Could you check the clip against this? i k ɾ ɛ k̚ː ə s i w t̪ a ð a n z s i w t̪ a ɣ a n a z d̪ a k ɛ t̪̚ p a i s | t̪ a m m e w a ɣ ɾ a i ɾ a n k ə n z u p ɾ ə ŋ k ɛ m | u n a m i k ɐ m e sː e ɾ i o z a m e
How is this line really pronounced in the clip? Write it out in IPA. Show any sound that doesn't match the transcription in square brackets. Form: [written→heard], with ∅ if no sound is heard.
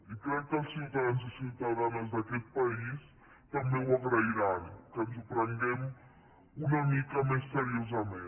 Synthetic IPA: i k ɾ ɛ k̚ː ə s i w t̪ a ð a n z s i w t̪ a [ɣ→ð] a n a z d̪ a k ɛ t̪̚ p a i s | t̪ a m [m→b] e w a ɣ ɾ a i ɾ a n k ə n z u p ɾ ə ŋ [k→ɡ] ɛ m | u n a m i k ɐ m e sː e ɾ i o z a m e